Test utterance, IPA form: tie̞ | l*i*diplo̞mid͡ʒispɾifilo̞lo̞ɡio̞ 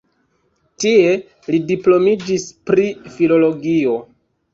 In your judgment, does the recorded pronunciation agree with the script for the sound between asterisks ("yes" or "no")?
yes